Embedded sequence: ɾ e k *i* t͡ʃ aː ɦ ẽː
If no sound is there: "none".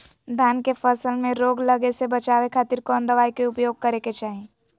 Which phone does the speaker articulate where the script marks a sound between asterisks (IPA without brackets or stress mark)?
e